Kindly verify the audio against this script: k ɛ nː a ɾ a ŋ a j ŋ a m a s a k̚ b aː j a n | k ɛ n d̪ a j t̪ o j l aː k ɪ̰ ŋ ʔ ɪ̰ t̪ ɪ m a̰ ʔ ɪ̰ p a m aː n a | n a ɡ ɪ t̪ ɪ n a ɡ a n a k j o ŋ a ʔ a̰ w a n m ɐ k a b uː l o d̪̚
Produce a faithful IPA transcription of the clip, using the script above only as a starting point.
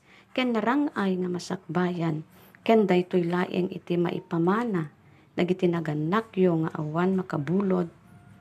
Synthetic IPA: k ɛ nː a ɾ a ŋ a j ŋ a m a s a k̚ b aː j a n | k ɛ n d̪ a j t̪ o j l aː ʔ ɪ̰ ŋ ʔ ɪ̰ t̪ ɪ m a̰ ʔ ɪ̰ p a m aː n a | n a ɡ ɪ t̪ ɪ n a ɡ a n a k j o ŋ a ʔ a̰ w a n m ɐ k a b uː l o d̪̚